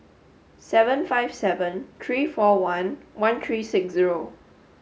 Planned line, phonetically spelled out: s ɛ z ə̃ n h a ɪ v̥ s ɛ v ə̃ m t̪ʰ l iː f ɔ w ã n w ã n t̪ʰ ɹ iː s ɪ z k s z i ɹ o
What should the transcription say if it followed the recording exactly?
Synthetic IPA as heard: s ɛ v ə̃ n f a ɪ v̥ s ɛ v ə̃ n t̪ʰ ɹ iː f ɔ w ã n w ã n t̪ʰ ɹ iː s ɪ k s z i ɹ o